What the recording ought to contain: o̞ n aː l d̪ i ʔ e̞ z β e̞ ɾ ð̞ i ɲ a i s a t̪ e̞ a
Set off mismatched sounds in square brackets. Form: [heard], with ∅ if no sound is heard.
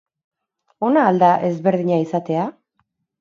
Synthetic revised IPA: o̞ n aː l d̪ [a] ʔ e̞ z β e̞ ɾ ð̞ i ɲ a i s a t̪ e̞ a